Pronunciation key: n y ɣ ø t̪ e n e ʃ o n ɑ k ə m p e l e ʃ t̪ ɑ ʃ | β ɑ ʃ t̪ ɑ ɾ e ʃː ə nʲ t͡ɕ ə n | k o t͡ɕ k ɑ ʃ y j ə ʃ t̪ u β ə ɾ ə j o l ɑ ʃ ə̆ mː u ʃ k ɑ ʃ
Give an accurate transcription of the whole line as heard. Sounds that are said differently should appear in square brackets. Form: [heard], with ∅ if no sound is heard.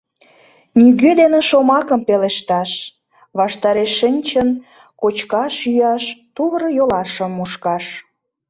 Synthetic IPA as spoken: n y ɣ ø [d̪] e n e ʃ o [m] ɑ k ə m p e l e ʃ t̪ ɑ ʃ | β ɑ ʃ t̪ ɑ ɾ e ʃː ə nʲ t͡ɕ ə n | k o t͡ɕ k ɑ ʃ y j [ɑ] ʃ t̪ u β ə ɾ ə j o l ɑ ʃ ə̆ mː u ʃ k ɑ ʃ